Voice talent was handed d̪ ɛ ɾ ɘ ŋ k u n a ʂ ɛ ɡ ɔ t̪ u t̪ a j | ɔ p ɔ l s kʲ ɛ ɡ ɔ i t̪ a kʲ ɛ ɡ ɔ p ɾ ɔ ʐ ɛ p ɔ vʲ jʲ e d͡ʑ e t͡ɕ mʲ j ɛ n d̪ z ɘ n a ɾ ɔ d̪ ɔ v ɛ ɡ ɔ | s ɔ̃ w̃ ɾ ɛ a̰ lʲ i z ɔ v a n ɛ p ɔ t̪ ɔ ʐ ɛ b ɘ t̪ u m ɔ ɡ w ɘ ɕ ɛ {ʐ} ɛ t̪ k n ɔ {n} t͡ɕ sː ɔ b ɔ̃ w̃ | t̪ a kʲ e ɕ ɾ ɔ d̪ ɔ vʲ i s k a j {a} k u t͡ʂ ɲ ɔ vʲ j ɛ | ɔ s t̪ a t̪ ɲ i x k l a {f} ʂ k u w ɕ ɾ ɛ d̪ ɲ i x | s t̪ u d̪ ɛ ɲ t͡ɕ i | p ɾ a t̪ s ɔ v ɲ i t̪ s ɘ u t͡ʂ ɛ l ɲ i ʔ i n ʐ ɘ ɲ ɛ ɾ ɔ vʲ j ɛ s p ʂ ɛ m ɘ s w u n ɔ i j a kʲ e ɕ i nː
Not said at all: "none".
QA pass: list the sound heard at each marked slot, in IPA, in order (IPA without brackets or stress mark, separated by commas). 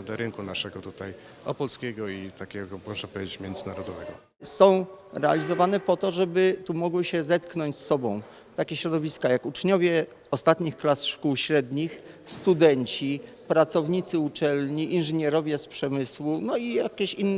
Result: z, ɲ, a, s